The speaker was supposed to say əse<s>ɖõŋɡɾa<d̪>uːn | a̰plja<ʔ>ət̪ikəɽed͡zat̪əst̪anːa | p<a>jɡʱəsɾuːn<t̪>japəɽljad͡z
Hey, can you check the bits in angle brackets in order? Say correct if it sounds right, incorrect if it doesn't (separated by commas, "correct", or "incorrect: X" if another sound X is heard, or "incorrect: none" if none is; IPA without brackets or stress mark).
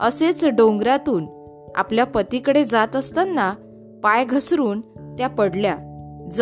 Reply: incorrect: t͡s, incorrect: t̪, incorrect: p, correct, correct